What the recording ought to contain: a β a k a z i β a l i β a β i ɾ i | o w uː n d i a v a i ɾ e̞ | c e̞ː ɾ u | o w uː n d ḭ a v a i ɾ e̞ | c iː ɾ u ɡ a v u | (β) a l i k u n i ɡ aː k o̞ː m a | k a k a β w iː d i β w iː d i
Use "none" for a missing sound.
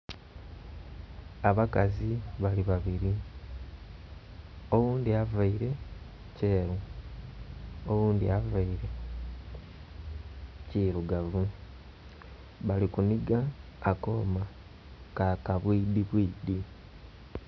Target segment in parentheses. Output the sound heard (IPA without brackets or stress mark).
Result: β